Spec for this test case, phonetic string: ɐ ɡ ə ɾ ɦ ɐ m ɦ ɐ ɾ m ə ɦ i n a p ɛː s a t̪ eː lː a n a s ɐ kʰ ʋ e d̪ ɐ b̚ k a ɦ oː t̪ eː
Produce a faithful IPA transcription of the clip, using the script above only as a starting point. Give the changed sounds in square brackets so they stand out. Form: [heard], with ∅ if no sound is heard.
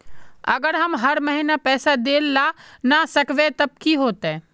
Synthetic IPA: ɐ ɡ ə ɾ ɦ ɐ m ɦ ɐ ɾ m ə ɦ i n a p ɛː s a [d̪] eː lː a n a s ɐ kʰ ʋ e [t̪] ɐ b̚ k [i] ɦ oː t̪ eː